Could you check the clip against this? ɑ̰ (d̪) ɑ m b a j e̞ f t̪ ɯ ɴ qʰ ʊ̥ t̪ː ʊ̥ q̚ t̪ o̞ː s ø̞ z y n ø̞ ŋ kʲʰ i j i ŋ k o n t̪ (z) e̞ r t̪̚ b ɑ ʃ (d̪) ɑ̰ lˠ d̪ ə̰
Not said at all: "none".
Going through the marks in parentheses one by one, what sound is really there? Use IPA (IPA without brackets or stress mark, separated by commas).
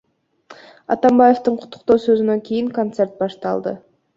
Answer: t̪, s, t̪